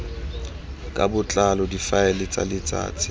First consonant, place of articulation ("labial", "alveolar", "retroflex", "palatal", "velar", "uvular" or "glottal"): velar